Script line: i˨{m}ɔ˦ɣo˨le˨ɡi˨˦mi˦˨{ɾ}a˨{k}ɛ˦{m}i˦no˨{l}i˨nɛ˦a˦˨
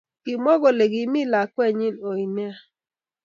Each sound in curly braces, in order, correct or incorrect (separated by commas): correct, incorrect, correct, incorrect, incorrect